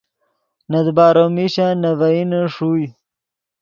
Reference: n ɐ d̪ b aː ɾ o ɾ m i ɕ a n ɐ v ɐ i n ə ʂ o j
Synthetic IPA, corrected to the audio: n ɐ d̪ b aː ɾ o m i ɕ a n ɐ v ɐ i n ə ʂ u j